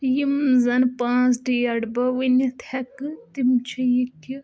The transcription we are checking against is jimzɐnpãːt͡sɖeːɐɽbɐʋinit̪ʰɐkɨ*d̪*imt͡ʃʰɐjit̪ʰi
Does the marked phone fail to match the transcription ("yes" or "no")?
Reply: yes